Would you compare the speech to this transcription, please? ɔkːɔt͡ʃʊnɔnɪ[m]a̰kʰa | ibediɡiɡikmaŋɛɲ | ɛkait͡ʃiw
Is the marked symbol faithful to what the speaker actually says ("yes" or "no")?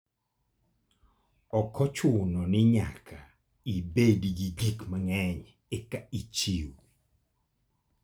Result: no